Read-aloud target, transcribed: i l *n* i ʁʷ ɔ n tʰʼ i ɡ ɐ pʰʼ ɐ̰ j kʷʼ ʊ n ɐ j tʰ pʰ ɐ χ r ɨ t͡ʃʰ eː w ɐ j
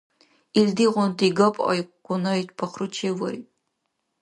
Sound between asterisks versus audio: incorrect: d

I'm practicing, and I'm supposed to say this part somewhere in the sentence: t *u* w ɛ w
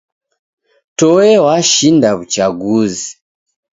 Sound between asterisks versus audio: incorrect: ɔ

